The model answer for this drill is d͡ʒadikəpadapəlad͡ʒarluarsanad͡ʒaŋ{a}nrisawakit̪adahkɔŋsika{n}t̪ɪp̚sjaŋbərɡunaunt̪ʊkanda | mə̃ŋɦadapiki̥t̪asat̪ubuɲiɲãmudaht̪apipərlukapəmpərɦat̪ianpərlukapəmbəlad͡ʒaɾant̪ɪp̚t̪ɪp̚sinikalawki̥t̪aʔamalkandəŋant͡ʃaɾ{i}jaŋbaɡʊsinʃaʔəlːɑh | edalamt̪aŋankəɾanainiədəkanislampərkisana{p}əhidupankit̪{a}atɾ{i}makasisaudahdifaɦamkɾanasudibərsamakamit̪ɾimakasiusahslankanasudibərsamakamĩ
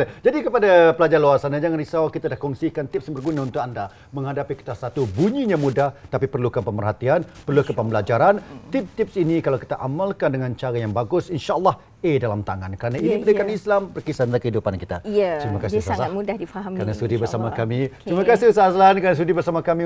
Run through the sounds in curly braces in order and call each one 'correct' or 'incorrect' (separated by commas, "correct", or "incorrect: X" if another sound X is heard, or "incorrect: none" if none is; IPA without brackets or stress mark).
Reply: correct, correct, incorrect: a, incorrect: k, correct, correct